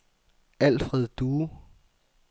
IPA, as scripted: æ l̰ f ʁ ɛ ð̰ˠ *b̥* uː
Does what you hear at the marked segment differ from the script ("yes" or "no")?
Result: yes